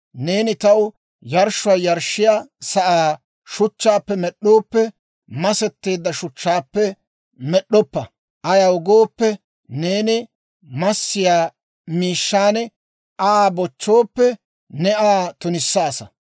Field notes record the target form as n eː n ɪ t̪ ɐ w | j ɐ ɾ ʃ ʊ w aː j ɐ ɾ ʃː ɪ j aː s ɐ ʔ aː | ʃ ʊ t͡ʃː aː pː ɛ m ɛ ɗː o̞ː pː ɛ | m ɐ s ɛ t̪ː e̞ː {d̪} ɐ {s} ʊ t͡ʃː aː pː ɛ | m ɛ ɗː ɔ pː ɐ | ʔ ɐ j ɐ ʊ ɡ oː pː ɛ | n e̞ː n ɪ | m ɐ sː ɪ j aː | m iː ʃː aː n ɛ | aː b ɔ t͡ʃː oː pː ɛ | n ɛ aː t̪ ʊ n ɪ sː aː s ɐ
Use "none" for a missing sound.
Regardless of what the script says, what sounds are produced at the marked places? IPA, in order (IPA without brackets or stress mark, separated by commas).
d̪ː, ʃ